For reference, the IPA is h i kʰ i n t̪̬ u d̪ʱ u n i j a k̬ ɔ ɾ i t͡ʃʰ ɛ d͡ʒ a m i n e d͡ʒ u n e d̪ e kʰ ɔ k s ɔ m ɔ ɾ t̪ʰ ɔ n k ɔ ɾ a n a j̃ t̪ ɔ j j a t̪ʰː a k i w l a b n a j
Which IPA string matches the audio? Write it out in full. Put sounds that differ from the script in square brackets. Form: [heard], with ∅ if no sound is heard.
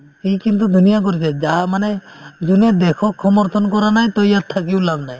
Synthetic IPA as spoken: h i [k] i n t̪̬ u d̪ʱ u n i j a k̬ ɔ ɾ i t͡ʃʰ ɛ d͡ʒ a m [a] n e d͡ʒ u n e d̪ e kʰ ɔ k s ɔ m ɔ ɾ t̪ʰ ɔ n k ɔ ɾ a n a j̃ t̪ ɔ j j a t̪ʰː a k i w l a b n a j